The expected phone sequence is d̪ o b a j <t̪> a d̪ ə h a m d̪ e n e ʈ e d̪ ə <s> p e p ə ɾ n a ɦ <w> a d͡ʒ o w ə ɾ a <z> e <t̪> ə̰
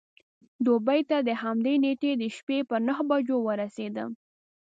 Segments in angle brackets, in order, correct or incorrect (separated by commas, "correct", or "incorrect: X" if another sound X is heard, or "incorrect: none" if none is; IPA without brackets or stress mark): correct, incorrect: ʃ, incorrect: b, incorrect: s, incorrect: d̪